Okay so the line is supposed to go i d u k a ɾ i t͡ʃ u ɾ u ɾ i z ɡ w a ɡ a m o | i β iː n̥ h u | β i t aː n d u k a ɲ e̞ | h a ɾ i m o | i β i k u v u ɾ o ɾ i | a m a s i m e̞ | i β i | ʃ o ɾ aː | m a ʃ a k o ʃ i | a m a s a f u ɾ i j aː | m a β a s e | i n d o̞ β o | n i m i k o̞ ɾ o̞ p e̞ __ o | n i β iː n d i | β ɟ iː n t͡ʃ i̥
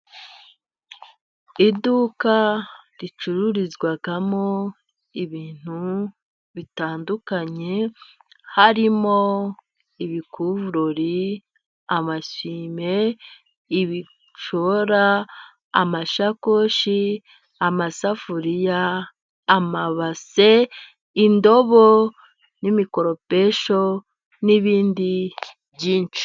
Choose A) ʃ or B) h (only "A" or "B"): A